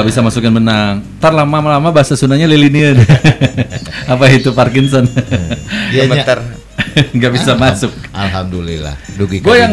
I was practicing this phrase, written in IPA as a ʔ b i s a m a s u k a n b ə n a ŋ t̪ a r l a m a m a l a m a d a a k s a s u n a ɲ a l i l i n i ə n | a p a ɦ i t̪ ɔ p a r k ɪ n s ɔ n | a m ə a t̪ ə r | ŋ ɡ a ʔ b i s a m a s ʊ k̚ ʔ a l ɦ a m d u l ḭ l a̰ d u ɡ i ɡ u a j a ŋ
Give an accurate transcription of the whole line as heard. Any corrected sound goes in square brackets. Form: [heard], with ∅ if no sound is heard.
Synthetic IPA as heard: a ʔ b i s a m a s u k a n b ə n a ŋ t̪ a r l a m a m a l a m a [b] a a [∅] s a s u n a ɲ a l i l i n i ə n | a p a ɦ i t̪ [u] p a r k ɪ n s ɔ n | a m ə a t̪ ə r | ŋ ɡ a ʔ b i s a m a s ʊ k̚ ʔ a l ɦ a m d u l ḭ l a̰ d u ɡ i ɡ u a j a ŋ